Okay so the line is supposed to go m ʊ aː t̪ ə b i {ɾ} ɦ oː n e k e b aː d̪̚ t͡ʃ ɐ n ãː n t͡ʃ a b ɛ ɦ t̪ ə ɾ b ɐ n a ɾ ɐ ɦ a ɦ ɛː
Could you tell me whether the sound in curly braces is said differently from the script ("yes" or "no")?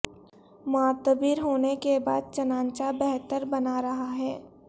no